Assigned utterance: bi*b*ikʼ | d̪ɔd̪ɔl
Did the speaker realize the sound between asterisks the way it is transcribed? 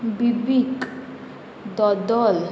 yes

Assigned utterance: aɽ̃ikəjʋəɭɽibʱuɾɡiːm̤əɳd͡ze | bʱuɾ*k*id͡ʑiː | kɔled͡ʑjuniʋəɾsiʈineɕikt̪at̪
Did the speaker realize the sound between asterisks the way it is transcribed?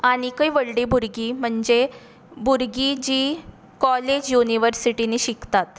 no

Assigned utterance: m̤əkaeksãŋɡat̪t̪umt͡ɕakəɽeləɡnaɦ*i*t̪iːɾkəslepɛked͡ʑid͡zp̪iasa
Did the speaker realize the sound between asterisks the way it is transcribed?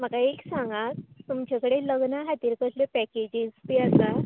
no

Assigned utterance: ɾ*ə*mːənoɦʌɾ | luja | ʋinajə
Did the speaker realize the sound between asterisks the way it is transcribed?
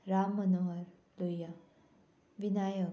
no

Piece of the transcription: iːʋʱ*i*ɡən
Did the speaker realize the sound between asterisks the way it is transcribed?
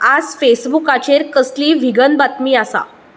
yes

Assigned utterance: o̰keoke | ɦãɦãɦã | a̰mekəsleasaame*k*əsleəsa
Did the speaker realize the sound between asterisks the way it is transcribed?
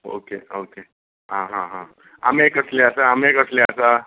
yes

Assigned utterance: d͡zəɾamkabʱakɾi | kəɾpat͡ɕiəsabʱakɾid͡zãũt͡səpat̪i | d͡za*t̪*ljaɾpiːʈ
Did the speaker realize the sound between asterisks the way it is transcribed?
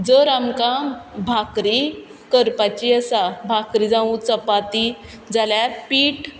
no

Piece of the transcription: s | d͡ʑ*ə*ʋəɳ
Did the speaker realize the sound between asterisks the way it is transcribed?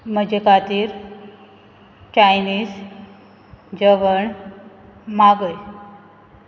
yes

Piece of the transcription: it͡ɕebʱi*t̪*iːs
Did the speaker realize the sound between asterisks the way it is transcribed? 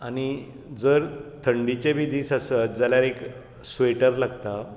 no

